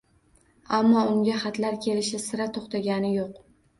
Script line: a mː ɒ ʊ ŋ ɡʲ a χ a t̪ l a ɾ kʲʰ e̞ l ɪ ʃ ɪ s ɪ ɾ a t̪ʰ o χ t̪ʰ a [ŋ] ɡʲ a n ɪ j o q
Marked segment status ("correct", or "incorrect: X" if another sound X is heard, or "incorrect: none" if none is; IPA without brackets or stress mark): incorrect: none